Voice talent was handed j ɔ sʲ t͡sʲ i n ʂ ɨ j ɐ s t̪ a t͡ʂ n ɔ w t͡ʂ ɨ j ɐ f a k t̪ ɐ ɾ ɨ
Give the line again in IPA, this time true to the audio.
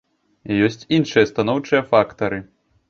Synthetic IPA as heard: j ɔ sʲ t͡sʲ i n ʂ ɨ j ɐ s t̪ a n ɔ w t͡ʂ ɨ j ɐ f a k t̪ ɐ ɾ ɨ